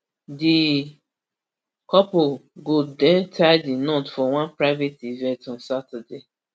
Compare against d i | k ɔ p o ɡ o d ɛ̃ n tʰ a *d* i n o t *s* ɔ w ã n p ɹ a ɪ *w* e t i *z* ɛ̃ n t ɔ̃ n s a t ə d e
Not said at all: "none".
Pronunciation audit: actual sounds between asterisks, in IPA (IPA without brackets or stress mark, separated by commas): d, f, v, v